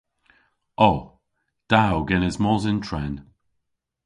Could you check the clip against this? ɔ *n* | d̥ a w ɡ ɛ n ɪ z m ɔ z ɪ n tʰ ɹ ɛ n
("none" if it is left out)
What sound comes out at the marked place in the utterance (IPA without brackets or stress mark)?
none